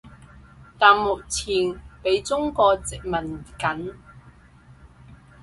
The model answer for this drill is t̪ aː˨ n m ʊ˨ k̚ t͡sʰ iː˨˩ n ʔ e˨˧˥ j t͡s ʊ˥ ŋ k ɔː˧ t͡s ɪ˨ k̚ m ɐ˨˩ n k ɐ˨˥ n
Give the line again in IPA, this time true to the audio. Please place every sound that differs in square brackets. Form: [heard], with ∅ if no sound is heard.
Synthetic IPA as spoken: t̪ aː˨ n m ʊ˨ k̚ t͡sʰ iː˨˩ n [p] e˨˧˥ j t͡s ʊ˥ ŋ k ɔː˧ t͡s ɪ˨ k̚ m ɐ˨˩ n k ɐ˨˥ n